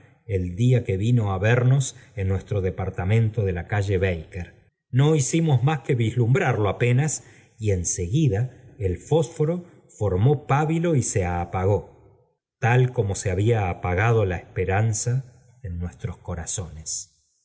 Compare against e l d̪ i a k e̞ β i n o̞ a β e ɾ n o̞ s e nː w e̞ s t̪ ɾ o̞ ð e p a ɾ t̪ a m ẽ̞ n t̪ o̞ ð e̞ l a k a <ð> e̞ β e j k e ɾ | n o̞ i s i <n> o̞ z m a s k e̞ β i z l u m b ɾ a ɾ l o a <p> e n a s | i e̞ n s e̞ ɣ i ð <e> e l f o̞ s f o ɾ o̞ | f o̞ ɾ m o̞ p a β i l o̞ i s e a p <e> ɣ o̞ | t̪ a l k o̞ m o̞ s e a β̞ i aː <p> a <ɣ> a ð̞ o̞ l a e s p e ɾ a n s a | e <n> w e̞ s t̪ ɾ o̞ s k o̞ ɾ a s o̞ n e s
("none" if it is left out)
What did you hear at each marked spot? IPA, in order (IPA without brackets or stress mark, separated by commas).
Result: ʒ, m, p, a, a, p, ɣ, nː